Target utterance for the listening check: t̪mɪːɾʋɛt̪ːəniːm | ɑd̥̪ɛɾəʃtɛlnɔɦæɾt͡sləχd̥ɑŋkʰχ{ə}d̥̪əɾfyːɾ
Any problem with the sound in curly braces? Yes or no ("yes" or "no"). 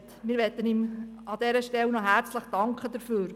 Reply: no